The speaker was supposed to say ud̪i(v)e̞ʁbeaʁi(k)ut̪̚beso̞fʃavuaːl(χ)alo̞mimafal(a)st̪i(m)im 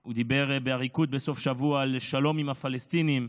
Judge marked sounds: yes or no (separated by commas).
no, yes, no, no, no